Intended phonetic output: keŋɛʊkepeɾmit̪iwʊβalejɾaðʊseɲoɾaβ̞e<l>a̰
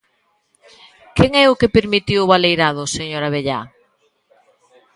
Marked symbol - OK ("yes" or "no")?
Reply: no